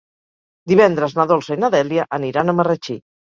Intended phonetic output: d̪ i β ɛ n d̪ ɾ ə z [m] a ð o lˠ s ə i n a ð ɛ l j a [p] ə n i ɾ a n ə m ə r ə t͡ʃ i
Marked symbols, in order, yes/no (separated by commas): no, no